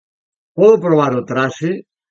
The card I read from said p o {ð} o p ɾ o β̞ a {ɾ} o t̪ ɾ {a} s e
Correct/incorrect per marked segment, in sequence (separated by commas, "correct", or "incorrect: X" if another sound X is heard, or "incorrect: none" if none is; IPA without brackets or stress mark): correct, correct, correct